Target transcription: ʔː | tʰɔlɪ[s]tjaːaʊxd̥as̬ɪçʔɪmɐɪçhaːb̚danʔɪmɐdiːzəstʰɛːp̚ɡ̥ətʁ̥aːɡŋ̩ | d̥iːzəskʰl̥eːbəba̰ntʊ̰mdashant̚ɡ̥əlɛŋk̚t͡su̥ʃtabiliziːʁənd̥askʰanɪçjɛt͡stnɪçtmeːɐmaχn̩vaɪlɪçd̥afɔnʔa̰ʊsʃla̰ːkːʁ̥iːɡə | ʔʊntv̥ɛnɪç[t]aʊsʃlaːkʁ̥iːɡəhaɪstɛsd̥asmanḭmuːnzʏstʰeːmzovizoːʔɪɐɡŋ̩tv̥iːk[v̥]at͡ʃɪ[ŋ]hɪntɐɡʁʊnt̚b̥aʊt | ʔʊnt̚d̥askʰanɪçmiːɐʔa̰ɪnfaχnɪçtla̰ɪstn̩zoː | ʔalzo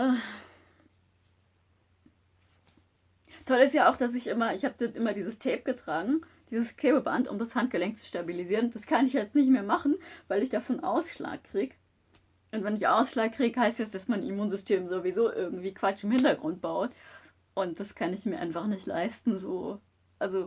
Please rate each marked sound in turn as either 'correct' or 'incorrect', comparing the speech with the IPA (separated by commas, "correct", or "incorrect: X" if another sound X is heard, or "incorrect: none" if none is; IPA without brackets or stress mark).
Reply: correct, incorrect: ʔ, correct, incorrect: m